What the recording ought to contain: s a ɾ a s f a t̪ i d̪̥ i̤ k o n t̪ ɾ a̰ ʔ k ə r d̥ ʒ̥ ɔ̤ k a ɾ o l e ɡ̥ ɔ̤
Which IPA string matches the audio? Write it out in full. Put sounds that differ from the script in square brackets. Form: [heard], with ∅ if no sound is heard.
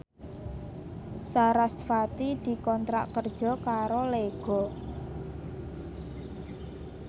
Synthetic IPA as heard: s a ɾ a s f a t̪ i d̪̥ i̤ k [ɔ] n t̪ ɾ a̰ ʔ k ə r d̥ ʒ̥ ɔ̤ k a ɾ o l e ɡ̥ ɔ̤